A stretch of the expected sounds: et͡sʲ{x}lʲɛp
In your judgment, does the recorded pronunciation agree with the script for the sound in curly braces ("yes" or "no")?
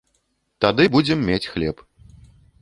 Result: yes